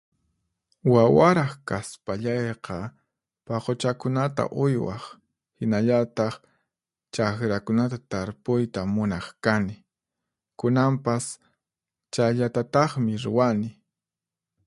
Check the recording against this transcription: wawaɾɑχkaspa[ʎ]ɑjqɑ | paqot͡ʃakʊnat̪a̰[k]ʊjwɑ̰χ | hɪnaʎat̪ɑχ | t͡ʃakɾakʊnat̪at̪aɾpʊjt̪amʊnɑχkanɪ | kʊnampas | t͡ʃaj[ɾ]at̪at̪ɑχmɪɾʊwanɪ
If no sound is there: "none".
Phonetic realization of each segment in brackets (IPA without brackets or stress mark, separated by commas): ʎ, ʔ, ʎ